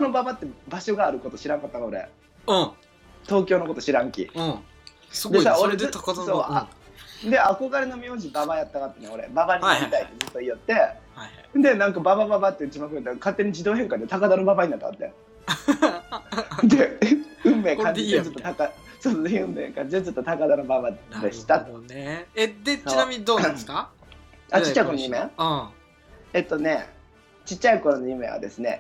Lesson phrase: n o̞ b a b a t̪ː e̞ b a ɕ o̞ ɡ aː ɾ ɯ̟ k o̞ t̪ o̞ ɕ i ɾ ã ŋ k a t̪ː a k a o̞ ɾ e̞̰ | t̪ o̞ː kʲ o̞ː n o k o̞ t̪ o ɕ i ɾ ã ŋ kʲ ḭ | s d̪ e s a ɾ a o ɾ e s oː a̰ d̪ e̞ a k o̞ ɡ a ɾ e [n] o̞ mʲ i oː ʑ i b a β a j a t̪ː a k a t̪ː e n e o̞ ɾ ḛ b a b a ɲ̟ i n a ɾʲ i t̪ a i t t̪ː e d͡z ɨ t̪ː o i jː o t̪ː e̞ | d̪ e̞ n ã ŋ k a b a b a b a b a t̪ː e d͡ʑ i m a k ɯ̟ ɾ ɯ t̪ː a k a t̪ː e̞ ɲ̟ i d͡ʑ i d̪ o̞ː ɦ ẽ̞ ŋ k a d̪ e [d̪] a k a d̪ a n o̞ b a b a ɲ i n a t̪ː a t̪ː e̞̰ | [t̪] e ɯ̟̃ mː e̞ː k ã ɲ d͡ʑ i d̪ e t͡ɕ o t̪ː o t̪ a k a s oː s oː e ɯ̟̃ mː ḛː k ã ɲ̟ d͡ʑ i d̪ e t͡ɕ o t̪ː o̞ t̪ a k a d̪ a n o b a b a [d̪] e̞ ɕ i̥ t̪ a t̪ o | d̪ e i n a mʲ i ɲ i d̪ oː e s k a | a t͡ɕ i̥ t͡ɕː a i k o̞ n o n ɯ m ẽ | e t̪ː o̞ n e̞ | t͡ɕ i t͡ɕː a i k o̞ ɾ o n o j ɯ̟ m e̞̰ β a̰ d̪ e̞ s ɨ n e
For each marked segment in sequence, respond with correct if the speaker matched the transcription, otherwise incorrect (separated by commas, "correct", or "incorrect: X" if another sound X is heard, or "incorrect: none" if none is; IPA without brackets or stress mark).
correct, incorrect: t̪, incorrect: d̪, correct